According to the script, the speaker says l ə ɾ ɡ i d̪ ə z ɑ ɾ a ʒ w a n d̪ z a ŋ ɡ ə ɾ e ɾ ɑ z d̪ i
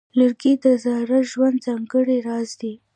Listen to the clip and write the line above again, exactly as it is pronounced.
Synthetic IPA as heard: l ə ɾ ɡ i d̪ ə z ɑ ɾ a ʒ w a n d̪ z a ŋ ɡ ə ɽ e ɾ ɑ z d̪ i